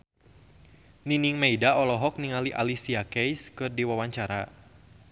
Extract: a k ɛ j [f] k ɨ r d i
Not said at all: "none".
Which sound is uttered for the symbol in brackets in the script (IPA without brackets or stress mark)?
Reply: s